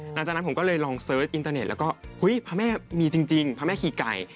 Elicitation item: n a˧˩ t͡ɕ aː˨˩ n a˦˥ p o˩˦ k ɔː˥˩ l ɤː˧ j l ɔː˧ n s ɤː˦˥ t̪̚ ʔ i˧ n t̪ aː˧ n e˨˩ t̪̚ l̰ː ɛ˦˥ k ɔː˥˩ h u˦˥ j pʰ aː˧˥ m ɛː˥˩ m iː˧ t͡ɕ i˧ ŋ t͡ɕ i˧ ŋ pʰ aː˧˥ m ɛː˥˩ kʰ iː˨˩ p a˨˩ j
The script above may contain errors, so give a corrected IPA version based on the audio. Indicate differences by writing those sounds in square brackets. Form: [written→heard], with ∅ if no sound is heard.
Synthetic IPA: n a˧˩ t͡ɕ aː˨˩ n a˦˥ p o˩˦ k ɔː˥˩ l ɤː˧ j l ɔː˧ [n→ŋ] s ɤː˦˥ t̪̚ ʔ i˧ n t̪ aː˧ n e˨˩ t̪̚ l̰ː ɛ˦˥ k ɔː˥˩ h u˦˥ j pʰ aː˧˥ m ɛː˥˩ m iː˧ t͡ɕ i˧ ŋ t͡ɕ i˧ ŋ pʰ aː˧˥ m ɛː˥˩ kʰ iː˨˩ [p→k] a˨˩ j